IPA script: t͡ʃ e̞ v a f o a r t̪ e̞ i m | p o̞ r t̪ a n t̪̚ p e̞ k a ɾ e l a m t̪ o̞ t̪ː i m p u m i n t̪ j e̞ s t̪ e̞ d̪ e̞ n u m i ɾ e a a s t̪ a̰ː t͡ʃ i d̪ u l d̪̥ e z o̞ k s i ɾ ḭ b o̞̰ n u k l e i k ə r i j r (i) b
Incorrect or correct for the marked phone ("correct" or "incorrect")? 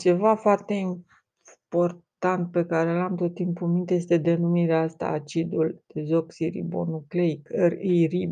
correct